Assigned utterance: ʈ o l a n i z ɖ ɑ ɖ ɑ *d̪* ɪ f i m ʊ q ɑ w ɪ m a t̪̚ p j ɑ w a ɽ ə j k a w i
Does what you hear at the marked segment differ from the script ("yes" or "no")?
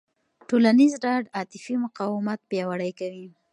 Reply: yes